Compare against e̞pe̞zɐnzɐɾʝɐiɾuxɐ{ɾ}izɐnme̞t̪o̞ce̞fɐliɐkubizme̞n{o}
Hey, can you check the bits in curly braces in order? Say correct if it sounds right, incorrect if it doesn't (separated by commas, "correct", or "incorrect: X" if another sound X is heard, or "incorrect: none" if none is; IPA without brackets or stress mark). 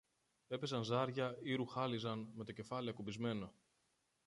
incorrect: l, correct